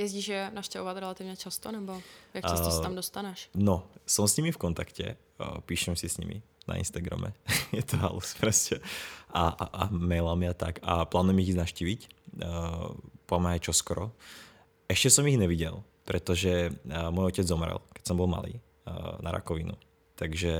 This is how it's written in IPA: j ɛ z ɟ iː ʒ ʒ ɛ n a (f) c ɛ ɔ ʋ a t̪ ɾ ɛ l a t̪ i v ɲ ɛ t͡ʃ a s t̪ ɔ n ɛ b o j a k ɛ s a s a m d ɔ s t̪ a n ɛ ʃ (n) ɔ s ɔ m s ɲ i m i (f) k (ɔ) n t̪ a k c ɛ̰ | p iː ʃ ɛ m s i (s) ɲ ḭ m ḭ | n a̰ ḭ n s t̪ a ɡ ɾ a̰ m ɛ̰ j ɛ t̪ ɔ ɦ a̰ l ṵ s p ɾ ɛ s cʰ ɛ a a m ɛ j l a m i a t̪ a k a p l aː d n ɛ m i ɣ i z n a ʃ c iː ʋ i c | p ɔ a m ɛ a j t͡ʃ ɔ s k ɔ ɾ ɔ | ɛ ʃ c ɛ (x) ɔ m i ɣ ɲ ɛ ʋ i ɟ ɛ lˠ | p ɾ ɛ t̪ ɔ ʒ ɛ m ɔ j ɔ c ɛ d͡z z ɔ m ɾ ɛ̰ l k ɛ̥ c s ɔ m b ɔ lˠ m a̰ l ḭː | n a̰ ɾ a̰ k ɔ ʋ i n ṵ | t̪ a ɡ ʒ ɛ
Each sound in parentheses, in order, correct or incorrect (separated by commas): incorrect, correct, correct, correct, correct, incorrect